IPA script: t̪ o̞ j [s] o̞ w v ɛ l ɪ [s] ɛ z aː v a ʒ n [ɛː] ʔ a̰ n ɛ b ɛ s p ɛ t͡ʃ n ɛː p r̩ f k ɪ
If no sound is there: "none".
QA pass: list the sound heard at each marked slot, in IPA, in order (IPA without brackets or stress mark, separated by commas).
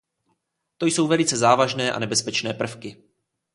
s, t͡s, ɛː